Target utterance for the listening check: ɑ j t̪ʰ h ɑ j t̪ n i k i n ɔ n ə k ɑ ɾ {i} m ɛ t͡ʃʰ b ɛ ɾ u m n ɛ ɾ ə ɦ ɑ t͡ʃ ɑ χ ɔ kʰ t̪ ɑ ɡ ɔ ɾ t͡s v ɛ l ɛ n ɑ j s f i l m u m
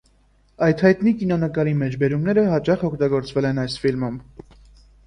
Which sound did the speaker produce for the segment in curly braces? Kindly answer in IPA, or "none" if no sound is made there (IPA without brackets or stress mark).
i